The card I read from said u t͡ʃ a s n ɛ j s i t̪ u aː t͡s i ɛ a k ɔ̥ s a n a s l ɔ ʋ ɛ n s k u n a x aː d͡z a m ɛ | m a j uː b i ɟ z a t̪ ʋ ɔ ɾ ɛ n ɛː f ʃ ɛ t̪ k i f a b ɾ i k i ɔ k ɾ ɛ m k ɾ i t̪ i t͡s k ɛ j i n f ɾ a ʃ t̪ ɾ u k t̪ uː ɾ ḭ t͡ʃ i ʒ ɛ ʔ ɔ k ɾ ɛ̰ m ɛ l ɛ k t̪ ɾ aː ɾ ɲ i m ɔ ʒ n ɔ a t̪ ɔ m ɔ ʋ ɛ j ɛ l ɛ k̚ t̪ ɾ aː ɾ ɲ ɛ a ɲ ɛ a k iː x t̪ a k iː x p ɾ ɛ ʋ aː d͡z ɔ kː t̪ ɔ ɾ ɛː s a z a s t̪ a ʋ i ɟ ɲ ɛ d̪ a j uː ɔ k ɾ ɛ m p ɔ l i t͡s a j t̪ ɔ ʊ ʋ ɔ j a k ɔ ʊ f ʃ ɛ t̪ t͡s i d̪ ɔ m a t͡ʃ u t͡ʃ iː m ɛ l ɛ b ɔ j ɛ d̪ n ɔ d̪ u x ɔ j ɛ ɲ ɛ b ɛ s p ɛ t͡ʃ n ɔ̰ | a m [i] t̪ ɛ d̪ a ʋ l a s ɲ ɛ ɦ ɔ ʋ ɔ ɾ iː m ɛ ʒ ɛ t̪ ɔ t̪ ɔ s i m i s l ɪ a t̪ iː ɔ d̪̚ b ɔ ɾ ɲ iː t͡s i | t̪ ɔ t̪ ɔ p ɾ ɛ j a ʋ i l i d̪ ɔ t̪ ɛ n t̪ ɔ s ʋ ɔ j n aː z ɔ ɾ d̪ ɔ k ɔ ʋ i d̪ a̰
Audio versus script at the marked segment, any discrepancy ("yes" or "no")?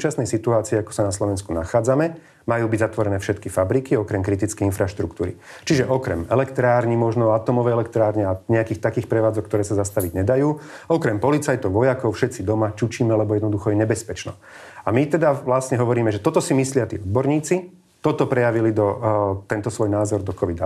no